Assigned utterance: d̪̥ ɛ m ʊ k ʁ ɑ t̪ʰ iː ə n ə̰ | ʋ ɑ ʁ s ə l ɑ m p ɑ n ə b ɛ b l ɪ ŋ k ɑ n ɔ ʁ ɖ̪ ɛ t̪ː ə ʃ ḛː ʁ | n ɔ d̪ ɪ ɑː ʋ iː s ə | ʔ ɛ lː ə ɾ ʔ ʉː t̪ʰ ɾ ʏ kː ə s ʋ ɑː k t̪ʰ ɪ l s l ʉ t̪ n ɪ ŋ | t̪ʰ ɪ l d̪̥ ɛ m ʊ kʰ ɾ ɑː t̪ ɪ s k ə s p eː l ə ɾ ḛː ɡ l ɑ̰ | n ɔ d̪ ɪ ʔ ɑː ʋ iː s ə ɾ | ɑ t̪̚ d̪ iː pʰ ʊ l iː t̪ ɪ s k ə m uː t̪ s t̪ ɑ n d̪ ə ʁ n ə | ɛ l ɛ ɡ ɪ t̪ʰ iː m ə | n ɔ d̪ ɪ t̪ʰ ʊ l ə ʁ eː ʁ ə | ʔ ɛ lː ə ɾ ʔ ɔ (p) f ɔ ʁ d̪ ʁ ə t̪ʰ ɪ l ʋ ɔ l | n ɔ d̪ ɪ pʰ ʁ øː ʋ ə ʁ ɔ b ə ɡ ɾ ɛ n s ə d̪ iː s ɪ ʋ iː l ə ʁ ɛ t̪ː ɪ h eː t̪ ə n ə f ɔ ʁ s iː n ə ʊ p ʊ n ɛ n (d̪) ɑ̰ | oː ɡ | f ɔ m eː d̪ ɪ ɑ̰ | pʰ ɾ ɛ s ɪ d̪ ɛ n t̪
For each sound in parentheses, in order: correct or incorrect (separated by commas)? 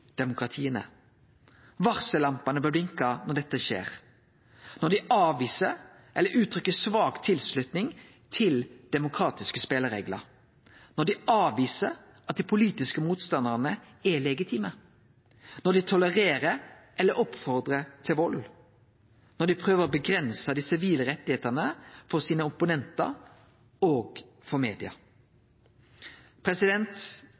correct, incorrect